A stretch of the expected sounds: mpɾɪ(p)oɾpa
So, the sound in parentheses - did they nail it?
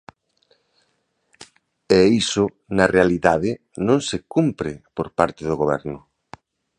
yes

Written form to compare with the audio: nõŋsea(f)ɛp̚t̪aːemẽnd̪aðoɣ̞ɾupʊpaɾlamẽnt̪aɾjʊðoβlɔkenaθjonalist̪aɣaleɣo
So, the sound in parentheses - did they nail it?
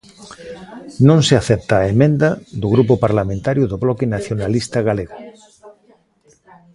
no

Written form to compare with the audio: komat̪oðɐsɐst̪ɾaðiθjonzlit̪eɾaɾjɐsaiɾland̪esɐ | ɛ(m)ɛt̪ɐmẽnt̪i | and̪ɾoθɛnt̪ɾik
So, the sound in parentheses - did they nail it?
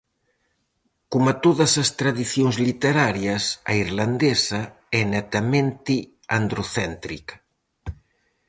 no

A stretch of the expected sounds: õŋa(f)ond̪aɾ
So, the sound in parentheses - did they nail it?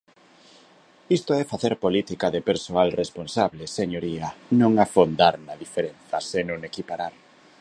yes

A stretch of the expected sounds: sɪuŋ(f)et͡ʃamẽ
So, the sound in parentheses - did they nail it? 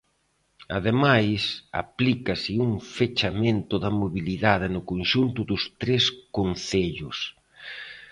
yes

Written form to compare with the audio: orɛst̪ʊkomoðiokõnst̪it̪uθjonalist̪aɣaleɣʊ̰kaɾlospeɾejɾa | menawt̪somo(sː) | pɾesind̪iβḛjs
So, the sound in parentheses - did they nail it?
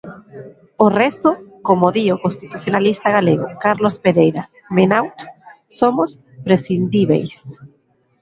no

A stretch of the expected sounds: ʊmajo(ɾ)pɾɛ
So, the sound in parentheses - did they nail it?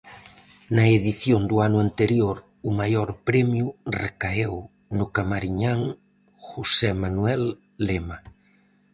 yes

